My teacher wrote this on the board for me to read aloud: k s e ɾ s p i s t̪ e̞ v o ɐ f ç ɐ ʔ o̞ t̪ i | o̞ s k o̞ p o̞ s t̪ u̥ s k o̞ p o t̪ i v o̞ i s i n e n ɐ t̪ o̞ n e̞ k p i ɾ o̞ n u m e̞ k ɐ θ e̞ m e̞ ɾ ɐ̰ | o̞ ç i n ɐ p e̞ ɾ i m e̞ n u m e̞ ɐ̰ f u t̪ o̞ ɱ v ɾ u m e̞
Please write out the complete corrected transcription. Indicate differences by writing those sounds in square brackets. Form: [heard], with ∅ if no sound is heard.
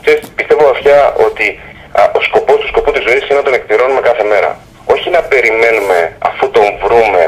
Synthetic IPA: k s e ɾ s p i s t̪ e̞ v o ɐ f ç ɐ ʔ o̞ t̪ i | o̞ s k o̞ p o̞ s t̪ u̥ s k o̞ p [u] t̪ i [z] o̞ i s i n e n ɐ t̪ o̞ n e̞ k p i ɾ o̞ n u m e̞ k ɐ θ e̞ m e̞ ɾ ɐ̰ | o̞ ç i n ɐ p e̞ ɾ i m e̞ n u m e̞ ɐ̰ f u t̪ o̞ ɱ v ɾ u m e̞